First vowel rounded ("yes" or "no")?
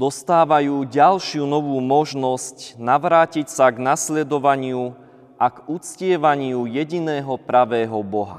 yes